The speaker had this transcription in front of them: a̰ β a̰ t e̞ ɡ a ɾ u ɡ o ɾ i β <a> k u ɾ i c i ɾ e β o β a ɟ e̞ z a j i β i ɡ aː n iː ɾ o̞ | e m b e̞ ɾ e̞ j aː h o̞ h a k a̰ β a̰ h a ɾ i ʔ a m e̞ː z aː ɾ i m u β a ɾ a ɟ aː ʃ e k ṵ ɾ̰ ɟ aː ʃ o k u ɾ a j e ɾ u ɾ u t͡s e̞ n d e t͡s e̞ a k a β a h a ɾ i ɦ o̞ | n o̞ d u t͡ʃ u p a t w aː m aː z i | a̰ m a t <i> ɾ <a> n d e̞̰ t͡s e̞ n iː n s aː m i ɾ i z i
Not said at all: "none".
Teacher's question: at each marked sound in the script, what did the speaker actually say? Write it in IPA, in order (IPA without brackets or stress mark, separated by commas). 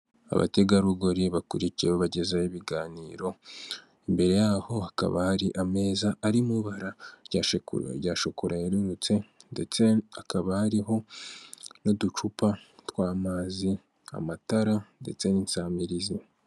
a, a, a